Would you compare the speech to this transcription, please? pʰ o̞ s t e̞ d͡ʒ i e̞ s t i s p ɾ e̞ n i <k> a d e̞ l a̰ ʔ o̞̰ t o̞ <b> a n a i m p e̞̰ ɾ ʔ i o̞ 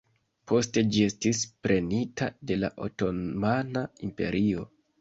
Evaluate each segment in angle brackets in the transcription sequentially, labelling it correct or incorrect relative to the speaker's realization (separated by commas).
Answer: incorrect, incorrect